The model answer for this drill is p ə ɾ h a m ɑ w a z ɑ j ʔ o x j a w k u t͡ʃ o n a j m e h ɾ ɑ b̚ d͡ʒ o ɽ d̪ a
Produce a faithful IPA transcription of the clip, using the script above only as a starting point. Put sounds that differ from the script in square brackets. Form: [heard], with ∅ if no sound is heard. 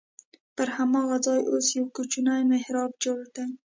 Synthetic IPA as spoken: p ə ɾ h a m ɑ [ɣ] a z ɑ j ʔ o [s] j a w k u t͡ʃ [u] n a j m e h ɾ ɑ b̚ d͡ʒ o ɽ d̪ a